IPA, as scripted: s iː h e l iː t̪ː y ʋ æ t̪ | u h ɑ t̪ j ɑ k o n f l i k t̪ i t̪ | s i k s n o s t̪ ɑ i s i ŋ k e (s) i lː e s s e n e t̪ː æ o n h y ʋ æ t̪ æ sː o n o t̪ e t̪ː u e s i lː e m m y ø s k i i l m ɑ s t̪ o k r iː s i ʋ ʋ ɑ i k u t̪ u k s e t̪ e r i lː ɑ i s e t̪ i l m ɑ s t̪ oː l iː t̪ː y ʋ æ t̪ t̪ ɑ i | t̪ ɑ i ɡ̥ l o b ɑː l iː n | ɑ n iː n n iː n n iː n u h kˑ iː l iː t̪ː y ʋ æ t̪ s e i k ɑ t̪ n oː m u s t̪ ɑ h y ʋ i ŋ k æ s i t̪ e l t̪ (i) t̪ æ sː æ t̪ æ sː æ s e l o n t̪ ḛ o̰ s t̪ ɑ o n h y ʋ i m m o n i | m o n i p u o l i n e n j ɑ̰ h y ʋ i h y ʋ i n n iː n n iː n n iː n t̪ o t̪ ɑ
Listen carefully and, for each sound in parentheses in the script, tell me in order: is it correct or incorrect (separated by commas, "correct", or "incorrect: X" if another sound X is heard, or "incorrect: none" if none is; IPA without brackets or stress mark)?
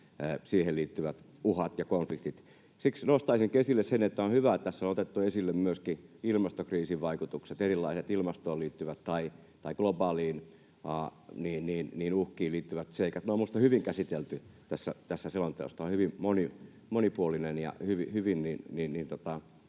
correct, incorrect: y